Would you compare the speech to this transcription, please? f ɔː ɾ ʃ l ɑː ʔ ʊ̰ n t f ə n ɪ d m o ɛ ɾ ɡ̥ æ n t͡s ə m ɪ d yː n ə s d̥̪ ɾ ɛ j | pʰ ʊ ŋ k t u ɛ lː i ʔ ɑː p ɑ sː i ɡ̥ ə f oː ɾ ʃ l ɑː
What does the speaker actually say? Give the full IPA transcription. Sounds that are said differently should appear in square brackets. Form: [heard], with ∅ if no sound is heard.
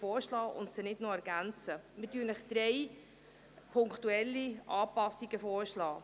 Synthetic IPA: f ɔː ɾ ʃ l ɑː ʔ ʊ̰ n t [s] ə n ɪ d [n] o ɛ ɾ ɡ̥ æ n t͡s ə m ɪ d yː n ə [χ] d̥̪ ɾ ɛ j | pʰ ʊ ŋ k t u ɛ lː i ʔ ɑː p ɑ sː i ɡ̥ ə f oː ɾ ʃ l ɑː